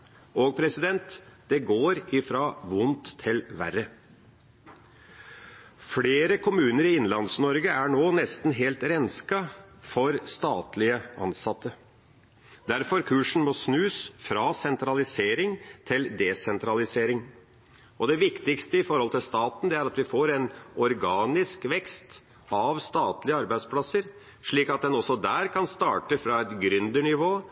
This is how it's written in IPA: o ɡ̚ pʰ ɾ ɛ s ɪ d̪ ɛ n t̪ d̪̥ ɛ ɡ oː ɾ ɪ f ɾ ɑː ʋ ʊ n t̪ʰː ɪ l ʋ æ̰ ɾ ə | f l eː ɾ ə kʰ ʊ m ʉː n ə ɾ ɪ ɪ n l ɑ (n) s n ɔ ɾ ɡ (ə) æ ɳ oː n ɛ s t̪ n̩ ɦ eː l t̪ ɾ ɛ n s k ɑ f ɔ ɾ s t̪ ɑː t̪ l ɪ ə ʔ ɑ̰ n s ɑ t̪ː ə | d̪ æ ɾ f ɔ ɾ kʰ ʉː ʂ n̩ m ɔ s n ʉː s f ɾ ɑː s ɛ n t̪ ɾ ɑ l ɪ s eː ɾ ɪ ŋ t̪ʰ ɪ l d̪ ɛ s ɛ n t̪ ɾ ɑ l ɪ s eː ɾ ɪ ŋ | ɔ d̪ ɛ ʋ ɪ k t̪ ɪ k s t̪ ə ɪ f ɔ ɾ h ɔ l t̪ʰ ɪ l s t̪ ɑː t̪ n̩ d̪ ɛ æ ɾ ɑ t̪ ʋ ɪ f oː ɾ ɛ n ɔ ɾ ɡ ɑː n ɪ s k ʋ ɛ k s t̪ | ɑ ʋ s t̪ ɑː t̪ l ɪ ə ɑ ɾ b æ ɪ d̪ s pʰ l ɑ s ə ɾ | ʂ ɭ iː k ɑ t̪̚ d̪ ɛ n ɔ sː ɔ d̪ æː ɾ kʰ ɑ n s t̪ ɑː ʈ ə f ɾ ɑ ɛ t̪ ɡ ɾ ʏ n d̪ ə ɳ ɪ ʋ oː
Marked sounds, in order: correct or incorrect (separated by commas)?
correct, correct